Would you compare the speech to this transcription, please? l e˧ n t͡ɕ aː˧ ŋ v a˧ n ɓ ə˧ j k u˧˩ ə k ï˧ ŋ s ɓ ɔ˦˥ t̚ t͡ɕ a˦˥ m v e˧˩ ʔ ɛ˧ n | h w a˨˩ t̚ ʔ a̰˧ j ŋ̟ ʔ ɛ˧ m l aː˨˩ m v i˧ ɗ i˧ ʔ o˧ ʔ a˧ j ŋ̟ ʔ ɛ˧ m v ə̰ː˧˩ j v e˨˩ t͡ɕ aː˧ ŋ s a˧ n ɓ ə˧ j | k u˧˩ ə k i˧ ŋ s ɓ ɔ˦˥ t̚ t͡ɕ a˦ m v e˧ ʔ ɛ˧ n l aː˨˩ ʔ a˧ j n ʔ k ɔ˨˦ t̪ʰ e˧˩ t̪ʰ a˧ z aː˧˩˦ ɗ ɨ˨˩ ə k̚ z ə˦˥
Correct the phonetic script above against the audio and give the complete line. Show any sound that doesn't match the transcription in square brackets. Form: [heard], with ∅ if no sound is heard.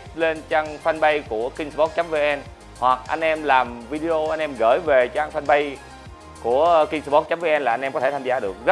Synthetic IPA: l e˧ n t͡ɕ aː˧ ŋ [f] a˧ n ɓ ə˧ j k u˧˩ ə k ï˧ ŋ s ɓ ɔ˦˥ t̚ t͡ɕ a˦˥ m v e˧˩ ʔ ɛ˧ n | h w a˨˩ [k̚] ʔ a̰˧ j ŋ̟ ʔ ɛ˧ m l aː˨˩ m v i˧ ɗ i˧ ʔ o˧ ʔ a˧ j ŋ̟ ʔ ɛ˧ m [ɣ] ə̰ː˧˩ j v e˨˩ t͡ɕ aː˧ ŋ [f] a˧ n ɓ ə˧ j | k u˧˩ ə k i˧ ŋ s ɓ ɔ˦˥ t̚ t͡ɕ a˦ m v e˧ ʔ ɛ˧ n l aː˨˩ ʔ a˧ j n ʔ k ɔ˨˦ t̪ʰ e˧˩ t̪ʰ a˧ z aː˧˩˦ ɗ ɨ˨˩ ə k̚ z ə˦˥